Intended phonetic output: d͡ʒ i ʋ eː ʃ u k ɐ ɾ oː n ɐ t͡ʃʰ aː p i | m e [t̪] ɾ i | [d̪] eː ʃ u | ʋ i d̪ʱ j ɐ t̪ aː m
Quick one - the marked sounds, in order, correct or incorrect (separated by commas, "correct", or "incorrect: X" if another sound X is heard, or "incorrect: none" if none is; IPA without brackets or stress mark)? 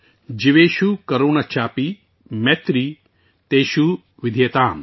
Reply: correct, incorrect: t̪